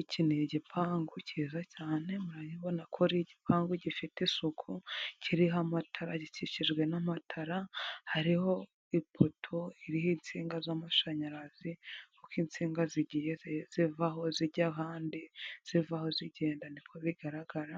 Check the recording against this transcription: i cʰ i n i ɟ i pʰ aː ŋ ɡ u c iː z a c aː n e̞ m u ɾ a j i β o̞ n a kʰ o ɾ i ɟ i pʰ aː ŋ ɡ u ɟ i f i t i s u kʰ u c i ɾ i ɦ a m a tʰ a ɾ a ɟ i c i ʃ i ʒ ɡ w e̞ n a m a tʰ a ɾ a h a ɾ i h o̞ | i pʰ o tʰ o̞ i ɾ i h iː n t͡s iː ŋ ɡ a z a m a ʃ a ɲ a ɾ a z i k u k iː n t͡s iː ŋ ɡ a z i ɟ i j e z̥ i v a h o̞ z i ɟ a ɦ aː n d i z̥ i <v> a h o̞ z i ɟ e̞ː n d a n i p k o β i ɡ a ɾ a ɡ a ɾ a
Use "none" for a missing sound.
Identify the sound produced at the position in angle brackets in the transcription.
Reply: v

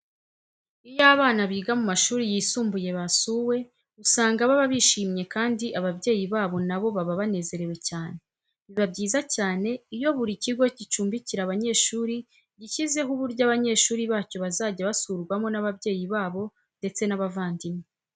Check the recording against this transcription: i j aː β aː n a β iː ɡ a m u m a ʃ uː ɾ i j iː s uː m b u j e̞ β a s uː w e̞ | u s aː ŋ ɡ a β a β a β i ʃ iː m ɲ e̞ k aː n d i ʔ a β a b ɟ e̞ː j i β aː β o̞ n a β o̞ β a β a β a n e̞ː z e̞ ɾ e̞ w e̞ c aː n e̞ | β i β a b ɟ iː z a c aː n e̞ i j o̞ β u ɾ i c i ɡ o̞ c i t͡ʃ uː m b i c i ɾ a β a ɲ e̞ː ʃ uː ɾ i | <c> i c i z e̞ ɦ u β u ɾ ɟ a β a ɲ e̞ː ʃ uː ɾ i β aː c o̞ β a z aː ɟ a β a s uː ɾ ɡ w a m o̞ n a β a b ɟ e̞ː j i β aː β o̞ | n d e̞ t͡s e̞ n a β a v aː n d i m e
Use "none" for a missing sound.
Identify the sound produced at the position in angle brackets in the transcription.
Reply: ɟ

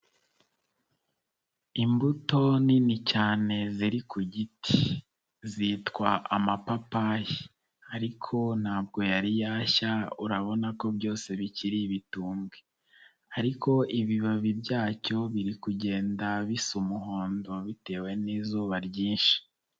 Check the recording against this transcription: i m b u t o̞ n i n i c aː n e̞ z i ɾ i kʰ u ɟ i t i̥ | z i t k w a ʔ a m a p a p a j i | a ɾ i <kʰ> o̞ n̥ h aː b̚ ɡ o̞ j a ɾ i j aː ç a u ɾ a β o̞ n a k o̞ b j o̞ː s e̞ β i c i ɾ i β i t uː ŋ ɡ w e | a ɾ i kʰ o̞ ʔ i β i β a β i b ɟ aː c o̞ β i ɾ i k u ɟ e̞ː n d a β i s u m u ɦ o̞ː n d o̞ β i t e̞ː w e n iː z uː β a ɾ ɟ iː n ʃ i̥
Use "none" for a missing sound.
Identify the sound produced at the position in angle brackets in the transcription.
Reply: kʰ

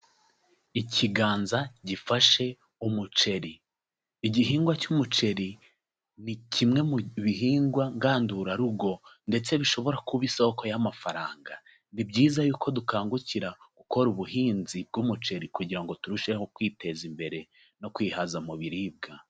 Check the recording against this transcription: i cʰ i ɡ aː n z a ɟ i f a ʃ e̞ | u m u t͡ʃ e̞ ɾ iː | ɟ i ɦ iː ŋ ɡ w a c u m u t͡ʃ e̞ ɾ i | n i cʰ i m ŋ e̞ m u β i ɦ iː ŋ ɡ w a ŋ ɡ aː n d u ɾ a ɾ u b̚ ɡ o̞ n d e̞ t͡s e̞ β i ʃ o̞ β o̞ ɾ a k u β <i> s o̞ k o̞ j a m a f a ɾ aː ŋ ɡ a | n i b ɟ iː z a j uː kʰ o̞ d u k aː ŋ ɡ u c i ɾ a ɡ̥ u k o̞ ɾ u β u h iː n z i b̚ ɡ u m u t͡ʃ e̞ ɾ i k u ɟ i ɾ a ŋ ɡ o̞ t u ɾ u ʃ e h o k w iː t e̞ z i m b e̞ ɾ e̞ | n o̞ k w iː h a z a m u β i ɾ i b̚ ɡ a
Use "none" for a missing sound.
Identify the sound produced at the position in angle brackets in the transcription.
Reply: i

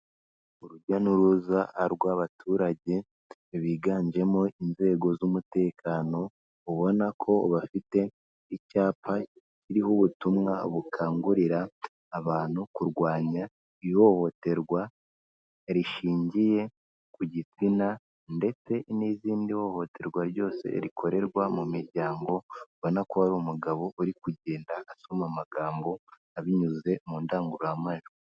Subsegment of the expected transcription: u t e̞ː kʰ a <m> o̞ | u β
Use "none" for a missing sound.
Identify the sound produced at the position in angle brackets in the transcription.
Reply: n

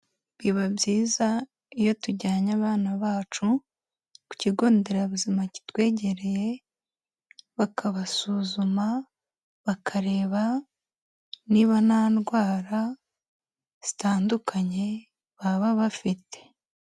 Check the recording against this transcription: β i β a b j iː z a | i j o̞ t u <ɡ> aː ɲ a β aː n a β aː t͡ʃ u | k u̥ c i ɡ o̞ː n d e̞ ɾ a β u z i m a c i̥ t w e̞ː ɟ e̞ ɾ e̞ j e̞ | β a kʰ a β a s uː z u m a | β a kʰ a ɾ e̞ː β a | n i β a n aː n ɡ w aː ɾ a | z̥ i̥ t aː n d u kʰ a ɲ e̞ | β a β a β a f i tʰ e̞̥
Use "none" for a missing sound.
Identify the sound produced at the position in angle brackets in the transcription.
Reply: ɟ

